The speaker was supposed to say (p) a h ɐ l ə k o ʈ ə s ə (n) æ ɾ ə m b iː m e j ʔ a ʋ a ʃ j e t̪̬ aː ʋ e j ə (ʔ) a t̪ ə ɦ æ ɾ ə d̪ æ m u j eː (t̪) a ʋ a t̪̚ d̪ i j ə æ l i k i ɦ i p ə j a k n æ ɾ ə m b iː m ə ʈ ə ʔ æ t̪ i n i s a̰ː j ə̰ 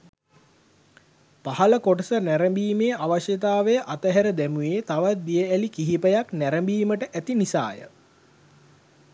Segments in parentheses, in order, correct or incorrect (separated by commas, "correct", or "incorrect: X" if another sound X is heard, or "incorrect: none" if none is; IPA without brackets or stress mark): correct, correct, correct, correct